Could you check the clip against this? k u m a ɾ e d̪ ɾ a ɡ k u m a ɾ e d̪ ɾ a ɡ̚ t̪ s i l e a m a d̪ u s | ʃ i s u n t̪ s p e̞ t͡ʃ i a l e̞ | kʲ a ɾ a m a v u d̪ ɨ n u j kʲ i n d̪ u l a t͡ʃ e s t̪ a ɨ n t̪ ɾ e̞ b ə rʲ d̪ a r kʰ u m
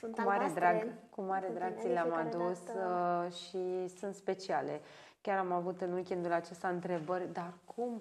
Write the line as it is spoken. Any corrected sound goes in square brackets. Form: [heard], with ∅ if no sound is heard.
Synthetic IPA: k u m a ɾ e d̪ ɾ a ɡ k u m a ɾ e d̪ ɾ a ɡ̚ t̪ s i l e a m a d̪ u s | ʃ i s u n t̪ s p e̞ t͡ʃ i a l e̞ | kʲ a ɾ a m a v u [t̪] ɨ n u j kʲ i n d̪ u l a t͡ʃ e s t̪ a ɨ n t̪ ɾ e̞ b ə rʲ d̪ a r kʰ u m